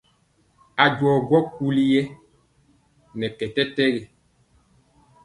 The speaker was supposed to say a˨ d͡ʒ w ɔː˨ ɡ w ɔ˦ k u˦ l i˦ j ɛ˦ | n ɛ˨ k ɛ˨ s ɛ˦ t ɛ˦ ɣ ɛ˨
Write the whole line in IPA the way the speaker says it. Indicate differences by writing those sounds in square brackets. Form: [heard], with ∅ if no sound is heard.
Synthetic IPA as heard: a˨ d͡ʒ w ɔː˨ ɡ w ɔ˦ k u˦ l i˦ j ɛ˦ | n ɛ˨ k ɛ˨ [t] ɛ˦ t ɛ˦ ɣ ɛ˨